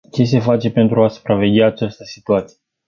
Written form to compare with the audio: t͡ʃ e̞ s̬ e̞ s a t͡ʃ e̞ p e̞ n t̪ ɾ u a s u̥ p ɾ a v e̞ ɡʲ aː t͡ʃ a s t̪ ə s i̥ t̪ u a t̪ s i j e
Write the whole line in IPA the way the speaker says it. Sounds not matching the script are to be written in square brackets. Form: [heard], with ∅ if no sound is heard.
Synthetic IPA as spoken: t͡ʃ e̞ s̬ e̞ [f] a t͡ʃ e̞ p e̞ n t̪ ɾ u a s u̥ p ɾ a v e̞ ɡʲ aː t͡ʃ a s t̪ ə s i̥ t̪ u a t̪ s i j e